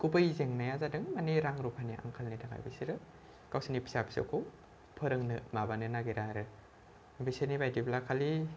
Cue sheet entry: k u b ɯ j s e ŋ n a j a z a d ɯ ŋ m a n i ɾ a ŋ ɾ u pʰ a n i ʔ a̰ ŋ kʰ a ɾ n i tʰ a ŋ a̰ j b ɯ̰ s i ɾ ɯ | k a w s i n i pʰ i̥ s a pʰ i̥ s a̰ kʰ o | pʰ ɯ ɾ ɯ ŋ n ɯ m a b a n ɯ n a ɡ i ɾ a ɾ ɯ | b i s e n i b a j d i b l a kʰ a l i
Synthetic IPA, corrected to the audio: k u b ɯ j z e ŋ n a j a z a d ɯ ŋ m a n i ɾ a ŋ ɾ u pʰ a n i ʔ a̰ ŋ kʰ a l n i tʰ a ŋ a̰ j b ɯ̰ s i ɾ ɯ | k a w s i n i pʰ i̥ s a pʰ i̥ s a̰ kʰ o | pʰ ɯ ɾ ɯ ŋ n ɯ m a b a n ɯ n a ɡ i ɾ a ɾ ɯ | b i s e n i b a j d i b l a kʰ a l i

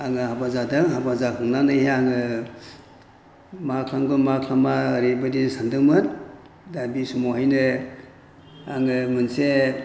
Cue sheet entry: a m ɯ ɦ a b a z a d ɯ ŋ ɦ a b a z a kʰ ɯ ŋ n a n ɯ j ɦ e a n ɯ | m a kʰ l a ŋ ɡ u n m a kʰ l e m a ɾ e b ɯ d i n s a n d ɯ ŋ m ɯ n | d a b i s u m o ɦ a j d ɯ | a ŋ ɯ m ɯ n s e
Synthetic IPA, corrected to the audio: a ŋ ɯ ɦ a b a z a d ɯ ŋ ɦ a b a z a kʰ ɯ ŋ n a n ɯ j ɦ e a ŋ ɯ | m a kʰ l a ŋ ɡ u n m a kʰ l a m a ɾ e b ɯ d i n s a n d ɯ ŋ m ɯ n | d a b i s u m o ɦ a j n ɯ | a ŋ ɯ m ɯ n s e

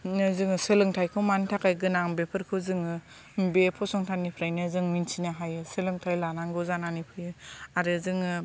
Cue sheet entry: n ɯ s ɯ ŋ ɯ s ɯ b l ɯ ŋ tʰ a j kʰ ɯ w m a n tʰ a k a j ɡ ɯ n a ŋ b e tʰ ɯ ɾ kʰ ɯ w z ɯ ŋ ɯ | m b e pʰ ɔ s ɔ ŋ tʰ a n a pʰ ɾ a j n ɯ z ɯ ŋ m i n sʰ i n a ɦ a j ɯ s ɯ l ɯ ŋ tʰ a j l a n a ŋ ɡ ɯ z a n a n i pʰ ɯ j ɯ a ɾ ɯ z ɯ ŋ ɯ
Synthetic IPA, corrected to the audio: n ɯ z ɯ ŋ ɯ s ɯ l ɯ ŋ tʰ a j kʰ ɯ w m a n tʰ a k a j ɡ ɯ n a ŋ b e pʰ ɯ ɾ kʰ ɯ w z ɯ ŋ ɯ | m b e pʰ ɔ s ɔ ŋ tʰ a n i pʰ ɾ a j n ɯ z ɯ ŋ m i n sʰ i n a ɦ a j ɯ s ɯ l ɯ ŋ tʰ a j l a n a ŋ ɡ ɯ z a n a n i pʰ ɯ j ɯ a ɾ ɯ z ɯ ŋ ɯ

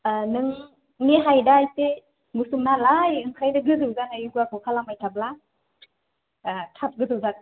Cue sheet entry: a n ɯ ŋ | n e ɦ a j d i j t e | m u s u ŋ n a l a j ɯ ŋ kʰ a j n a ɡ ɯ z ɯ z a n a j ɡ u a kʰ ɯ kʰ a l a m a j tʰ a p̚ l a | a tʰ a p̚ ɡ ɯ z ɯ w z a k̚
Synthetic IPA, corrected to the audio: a n ɯ ŋ | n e ɦ a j d a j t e | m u s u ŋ n a l a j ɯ ŋ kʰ a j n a ɡ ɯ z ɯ z a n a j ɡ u a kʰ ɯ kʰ a l a m a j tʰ a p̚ l a | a tʰ a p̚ ɡ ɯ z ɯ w z a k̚

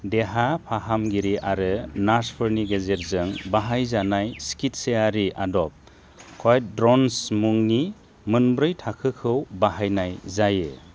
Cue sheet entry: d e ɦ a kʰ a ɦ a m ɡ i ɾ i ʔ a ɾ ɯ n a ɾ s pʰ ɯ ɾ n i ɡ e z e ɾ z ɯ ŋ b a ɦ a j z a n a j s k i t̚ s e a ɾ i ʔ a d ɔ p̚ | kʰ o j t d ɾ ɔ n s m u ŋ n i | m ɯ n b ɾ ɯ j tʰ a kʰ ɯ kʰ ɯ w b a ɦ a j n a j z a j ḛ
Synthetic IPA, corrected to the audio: d e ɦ a pʰ a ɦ a m ɡ i ɾ i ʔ a ɾ ɯ n a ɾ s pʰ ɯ ɾ n i ɡ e z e ɾ z ɯ ŋ b a ɦ a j z a n a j s k i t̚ s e a ɾ i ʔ a d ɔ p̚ | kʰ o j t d ɾ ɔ n s m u ŋ n i | m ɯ n b ɾ ɯ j tʰ a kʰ ɯ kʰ ɯ w b a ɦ a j n a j z a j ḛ

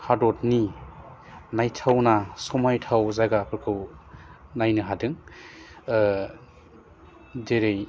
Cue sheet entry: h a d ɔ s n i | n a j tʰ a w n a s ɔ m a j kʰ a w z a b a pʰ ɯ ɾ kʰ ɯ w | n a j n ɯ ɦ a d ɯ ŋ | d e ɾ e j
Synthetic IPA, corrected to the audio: h a d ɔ t n i | n a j tʰ a w n a s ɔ m a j tʰ a w z a ɡ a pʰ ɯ ɾ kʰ ɯ w | n a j n ɯ ɦ a d ɯ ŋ | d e ɾ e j

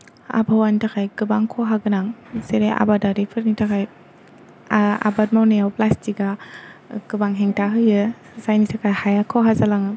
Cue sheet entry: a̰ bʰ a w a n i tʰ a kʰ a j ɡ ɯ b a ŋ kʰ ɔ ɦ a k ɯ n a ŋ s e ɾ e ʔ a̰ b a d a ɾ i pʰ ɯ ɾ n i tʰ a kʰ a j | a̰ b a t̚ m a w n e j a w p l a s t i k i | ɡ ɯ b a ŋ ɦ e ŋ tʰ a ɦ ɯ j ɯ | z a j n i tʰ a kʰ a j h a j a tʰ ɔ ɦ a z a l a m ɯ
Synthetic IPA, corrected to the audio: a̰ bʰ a w a n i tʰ a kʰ a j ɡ ɯ b a ŋ kʰ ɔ ɦ a ɡ ɯ n a ŋ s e ɾ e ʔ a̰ b a d a ɾ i pʰ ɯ ɾ n i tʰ a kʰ a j | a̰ b a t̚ m a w n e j a w p l a s t i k a | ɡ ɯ b a ŋ ɦ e ŋ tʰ a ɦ ɯ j ɯ | z a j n i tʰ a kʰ a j h a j a kʰ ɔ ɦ a z a l a ŋ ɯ

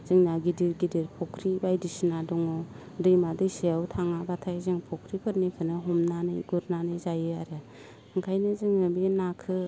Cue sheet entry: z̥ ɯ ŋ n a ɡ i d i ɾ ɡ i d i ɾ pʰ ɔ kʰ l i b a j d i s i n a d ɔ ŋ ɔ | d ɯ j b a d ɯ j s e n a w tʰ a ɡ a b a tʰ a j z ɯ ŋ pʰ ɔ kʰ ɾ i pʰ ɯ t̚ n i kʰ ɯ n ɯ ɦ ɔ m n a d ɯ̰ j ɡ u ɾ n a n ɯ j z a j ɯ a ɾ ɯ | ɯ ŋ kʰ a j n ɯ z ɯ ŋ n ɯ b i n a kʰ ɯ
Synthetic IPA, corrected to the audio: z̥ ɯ ŋ n a ɡ i d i ɾ ɡ i d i ɾ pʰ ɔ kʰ ɾ i b a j d i s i n a d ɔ ŋ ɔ | d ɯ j m a d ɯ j s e a w tʰ a ŋ a b a tʰ a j z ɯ ŋ pʰ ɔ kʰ ɾ i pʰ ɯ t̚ n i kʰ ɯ n ɯ ɦ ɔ m n a n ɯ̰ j ɡ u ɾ n a n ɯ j z a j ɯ a ɾ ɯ | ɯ ŋ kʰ a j n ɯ z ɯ ŋ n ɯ b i n a kʰ ɯ

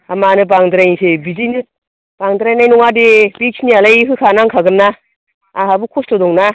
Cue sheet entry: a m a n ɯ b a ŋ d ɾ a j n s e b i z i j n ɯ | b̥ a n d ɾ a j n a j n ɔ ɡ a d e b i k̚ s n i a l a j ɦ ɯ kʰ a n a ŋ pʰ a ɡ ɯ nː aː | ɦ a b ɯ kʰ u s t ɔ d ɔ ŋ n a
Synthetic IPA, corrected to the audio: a m a n ɯ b a ŋ d ɾ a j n s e b i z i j n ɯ | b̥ a ŋ d ɾ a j n a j n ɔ ŋ a d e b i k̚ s n i a l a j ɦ ɯ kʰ a n a ŋ kʰ a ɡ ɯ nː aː | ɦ a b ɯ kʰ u s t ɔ d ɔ ŋ n a

